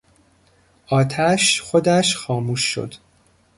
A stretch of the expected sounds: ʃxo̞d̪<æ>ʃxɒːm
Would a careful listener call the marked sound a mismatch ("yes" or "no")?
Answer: no